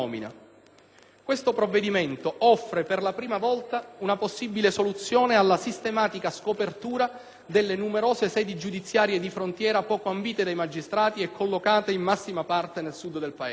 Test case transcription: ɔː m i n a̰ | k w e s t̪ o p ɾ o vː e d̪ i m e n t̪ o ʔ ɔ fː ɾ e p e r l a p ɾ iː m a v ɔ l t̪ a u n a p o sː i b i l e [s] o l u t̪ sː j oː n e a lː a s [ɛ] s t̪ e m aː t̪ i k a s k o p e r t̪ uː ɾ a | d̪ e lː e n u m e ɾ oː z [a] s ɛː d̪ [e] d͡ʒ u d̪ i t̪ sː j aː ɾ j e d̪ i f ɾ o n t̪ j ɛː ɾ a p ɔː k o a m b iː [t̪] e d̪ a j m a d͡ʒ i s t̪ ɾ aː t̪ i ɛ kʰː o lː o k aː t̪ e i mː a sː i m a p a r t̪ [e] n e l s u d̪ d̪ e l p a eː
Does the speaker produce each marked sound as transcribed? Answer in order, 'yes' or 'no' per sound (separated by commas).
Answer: yes, no, no, no, yes, yes